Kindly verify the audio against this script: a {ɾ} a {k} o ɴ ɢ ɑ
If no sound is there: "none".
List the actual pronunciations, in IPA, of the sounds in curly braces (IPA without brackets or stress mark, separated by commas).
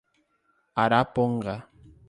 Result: ɾ, p